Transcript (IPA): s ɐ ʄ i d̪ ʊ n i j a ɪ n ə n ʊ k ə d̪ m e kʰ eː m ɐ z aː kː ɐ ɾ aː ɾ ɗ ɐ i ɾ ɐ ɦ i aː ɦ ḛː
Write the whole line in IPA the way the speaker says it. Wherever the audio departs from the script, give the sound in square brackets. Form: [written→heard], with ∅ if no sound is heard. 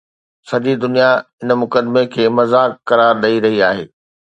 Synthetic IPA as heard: s ɐ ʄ i d̪ ʊ n i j a ɪ n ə [n→m] ʊ k ə d̪ m e kʰ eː m ɐ z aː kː ɐ ɾ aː ɾ ɗ ɐ i ɾ ɐ ɦ i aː ɦ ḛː